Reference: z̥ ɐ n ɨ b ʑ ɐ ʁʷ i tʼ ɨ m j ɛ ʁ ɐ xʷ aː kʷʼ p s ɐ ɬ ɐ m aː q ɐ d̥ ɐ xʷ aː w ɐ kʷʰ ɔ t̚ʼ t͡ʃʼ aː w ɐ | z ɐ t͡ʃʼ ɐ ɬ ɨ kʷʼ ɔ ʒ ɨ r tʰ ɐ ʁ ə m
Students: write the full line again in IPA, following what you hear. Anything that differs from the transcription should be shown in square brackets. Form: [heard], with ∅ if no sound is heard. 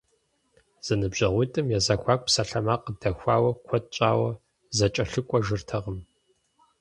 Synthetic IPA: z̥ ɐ n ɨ b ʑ ɐ ʁʷ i tʼ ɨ m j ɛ [z] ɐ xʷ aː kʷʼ p s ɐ ɬ ɐ m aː q [ə] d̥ ɐ xʷ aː w ɐ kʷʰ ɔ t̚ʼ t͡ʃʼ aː w ɐ | z ɐ t͡ʃʼ ɐ ɬ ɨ kʷʼ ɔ ʒ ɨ r tʰ ɐ ʁ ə m